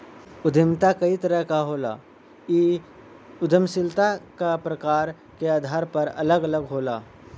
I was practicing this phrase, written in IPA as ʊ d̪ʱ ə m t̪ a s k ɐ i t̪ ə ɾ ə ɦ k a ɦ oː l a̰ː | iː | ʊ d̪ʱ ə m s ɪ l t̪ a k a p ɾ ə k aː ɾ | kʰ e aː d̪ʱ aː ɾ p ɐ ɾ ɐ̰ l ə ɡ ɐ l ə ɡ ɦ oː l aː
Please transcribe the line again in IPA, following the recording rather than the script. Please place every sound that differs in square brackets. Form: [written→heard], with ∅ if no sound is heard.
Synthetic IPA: ʊ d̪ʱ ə m t̪ a [s→∅] k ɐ i t̪ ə ɾ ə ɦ k a ɦ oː l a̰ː | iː | ʊ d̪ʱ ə m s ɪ l t̪ a k a p ɾ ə k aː ɾ | [kʰ→k] e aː d̪ʱ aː ɾ p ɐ ɾ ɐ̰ l ə ɡ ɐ l ə ɡ ɦ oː l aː